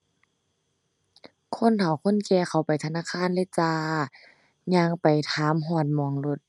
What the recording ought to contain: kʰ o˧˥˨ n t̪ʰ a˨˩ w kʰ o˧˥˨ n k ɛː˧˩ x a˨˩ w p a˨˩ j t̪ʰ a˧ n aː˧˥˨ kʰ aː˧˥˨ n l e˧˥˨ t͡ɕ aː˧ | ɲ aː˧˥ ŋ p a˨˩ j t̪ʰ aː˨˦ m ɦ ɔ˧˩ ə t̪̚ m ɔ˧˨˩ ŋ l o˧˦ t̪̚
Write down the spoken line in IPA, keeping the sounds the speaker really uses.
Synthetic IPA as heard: kʰ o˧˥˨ n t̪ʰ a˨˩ w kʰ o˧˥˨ n k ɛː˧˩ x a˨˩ w p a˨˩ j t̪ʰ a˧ n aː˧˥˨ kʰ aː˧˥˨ n l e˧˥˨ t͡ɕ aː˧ | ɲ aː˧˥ ŋ p a˨˩ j t̪ʰ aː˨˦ m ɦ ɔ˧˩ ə t̪̚ m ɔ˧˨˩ ŋ l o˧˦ t̪̚